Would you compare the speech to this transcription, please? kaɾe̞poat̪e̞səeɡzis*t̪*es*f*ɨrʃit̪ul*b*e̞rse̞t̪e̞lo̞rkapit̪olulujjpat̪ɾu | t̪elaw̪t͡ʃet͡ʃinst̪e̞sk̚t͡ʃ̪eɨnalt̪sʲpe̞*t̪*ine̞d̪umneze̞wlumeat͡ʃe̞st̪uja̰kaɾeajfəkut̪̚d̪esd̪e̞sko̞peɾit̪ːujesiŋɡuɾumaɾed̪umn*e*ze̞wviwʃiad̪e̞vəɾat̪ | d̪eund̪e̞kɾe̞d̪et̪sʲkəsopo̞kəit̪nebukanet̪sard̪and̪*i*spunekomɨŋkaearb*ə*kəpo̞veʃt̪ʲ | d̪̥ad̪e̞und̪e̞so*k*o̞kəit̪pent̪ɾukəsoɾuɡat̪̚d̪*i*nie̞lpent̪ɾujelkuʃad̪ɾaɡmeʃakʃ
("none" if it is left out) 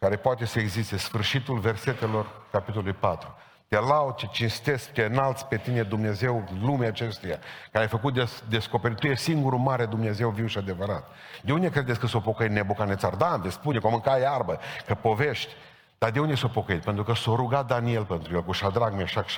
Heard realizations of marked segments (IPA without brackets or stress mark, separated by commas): t̪, f, v, t̪, e, e, ə, p, a